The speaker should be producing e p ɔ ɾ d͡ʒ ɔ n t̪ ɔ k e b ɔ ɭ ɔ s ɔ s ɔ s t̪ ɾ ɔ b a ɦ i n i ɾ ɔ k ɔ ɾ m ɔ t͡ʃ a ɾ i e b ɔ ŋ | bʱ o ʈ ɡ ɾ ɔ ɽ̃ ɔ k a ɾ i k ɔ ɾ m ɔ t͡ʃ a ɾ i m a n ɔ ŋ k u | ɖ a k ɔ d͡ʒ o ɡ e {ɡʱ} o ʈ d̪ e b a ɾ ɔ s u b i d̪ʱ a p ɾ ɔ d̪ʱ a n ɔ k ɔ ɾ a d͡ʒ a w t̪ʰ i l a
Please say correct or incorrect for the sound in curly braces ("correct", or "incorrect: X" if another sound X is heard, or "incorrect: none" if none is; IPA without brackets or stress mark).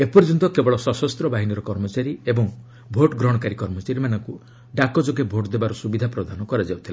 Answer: incorrect: bʱ